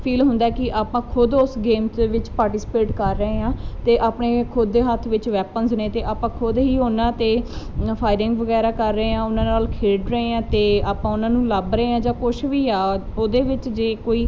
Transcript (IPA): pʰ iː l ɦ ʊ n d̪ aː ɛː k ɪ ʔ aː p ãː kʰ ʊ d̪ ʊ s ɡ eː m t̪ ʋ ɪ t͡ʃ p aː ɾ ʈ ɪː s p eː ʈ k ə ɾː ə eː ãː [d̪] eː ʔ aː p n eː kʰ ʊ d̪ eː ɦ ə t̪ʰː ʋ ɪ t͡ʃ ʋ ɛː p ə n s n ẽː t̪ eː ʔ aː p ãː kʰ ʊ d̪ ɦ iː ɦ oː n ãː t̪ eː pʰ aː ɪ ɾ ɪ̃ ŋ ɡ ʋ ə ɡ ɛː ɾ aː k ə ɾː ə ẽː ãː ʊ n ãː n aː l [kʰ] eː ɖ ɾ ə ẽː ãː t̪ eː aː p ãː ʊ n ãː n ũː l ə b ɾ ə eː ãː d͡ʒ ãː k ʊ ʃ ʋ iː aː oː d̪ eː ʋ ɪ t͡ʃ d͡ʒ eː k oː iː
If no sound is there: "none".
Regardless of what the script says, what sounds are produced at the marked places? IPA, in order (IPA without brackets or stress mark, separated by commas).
t̪, kʰ